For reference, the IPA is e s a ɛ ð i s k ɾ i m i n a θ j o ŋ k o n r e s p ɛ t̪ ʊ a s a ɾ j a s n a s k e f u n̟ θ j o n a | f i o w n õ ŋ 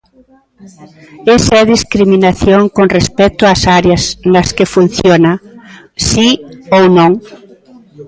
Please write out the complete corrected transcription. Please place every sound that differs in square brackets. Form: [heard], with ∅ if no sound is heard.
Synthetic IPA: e s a ɛ ð i s k ɾ i m i n a θ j o ŋ k o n r e s p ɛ t̪ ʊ a s a ɾ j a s n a s k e f u n̟ θ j o n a | [s] i o w n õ ŋ